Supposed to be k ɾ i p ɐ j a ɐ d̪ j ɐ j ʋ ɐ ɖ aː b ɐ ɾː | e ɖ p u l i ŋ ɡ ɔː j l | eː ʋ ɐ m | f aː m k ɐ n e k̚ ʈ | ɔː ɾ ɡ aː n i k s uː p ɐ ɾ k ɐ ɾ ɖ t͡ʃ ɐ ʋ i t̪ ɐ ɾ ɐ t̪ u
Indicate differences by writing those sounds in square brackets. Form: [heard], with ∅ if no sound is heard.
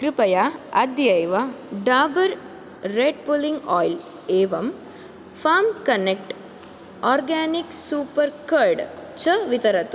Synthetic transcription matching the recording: k ɾ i p ɐ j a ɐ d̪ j ɐ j ʋ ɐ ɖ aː b ɐ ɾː | e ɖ p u l i ŋ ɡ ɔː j l | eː ʋ ɐ m | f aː m k ɐ n e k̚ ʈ | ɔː ɾ ɡ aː n i k s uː p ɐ ɾ k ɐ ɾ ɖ t͡ʃ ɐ ʋ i t̪ ɐ ɾ ɐ t̪ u